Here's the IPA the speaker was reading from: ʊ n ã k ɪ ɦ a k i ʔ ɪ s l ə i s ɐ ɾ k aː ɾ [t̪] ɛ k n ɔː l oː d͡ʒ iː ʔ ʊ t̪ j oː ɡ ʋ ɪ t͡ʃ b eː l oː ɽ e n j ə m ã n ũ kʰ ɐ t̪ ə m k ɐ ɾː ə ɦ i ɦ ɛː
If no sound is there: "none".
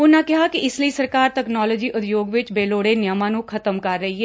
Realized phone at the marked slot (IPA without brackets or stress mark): t̪